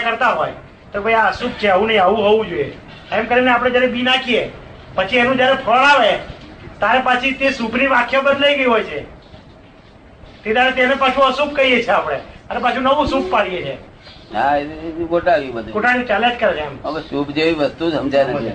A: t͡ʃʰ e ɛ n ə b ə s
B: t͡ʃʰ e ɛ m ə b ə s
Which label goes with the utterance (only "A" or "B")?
B